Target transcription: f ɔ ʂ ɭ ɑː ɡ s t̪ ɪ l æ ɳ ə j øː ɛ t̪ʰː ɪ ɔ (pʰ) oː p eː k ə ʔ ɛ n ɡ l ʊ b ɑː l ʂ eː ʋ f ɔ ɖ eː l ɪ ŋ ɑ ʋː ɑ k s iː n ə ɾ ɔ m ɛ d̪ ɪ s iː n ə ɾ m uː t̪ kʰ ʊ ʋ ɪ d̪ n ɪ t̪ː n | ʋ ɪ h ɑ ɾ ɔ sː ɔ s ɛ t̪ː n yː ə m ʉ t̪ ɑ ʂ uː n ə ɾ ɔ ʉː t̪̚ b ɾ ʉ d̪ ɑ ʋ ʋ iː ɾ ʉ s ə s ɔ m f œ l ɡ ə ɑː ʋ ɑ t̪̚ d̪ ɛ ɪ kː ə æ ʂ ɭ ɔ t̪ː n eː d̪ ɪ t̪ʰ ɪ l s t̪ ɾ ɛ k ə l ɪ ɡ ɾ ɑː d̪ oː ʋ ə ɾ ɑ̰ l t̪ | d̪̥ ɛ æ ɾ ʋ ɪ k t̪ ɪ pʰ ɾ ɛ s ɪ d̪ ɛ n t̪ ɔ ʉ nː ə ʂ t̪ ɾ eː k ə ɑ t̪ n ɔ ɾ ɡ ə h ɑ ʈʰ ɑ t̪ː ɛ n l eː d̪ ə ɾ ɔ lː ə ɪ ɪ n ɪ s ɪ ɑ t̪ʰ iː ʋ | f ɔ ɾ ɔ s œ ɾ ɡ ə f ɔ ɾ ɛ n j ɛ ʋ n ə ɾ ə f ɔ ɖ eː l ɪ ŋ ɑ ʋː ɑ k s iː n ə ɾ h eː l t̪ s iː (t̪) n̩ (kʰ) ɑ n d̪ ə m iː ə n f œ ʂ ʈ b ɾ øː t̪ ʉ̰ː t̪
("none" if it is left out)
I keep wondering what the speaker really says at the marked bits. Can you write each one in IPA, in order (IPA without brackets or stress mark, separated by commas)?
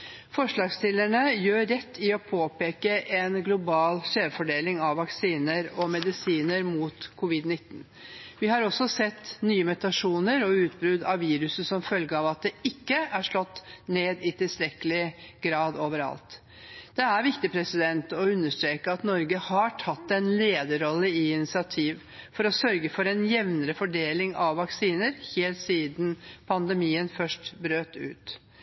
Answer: pʰ, d̪, pʰ